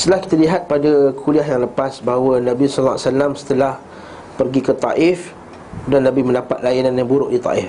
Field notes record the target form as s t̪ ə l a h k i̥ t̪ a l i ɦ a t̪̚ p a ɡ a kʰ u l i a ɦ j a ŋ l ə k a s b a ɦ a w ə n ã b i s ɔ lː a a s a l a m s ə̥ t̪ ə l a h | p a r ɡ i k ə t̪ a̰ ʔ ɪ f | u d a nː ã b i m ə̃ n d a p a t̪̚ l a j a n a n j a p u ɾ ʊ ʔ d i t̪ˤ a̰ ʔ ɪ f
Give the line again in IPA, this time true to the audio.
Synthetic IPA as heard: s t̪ ə l a h k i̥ t̪ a l i ɦ a t̪̚ p a d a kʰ u l i a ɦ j a ŋ l ə p a s b a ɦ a w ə n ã b i s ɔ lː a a s a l a m s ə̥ t̪ ə l a h | p ə r ɡ i k ə t̪ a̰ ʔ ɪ f | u d a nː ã b i m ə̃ n d a p a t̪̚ l a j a n a n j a b u ɾ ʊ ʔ d i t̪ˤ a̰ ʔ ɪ f